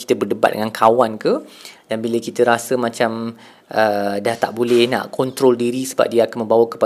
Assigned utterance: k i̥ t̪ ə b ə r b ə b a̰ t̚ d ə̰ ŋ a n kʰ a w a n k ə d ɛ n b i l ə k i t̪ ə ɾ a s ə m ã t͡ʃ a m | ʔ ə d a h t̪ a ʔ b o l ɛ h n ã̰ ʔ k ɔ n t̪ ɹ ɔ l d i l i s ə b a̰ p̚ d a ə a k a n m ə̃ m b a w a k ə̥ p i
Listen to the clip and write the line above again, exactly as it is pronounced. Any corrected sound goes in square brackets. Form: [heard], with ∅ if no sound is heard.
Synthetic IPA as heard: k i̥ t̪ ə b ə r [d] ə b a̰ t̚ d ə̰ ŋ a n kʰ a w a n k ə d [a] n b i l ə k i t̪ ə ɾ a s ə m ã t͡ʃ a m | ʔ ə d a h t̪ a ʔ b o l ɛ h n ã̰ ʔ k ɔ n t̪ [ɾ] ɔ l d i [ɾ] i s ə b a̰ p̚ d [i] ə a k a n m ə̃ m b a w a k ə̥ p [a]